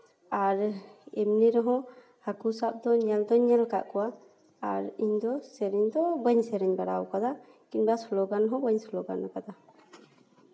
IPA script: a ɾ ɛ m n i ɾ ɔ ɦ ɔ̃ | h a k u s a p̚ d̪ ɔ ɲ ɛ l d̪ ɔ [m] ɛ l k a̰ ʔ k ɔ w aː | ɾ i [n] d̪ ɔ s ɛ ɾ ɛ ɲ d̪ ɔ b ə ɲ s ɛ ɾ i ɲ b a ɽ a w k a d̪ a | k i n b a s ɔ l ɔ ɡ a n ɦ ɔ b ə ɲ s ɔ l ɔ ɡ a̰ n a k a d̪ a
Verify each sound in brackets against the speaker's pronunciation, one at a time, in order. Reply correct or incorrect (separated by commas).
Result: incorrect, incorrect